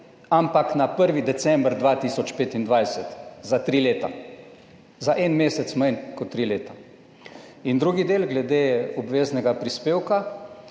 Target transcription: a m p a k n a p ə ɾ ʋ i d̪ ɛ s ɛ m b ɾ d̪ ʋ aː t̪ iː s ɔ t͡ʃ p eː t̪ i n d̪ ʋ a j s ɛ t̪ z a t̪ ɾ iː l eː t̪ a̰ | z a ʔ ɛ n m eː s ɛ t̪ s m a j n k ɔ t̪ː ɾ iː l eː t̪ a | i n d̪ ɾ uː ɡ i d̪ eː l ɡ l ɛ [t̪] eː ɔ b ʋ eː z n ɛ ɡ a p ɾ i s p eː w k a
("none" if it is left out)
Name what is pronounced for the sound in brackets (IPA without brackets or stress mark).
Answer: d̪